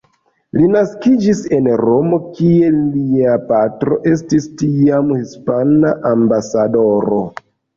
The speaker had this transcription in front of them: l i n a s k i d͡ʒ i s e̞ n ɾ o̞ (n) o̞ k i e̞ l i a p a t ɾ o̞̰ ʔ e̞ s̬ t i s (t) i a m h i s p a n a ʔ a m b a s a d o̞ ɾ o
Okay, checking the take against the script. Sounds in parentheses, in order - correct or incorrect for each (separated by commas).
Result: incorrect, correct